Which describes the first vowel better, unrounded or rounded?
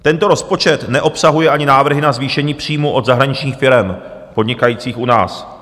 unrounded